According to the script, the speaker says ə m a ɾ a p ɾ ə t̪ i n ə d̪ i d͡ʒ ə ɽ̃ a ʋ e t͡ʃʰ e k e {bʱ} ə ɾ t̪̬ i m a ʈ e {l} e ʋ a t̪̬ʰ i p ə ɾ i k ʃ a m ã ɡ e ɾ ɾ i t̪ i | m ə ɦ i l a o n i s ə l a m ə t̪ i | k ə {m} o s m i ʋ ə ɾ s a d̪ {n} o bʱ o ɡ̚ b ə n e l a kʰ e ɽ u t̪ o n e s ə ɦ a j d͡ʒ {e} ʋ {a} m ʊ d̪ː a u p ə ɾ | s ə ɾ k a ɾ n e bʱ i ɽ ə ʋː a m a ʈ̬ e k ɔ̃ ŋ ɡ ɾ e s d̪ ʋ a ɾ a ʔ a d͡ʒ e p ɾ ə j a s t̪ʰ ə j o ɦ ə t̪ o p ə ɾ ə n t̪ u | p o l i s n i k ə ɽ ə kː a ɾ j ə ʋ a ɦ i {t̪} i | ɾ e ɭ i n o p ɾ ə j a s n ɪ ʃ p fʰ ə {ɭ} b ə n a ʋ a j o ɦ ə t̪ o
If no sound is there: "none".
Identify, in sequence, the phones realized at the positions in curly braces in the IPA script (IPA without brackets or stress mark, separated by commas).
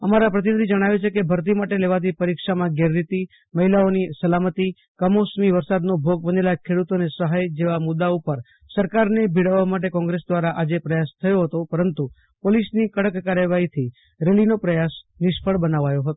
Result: bʱ, l, m, n, e, a, t̪ʰ, ɭ